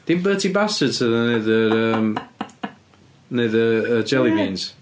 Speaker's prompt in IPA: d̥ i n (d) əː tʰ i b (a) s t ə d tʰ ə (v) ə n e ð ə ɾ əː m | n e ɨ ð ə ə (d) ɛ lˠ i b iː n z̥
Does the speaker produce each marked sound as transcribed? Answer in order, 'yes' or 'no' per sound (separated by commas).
no, yes, no, no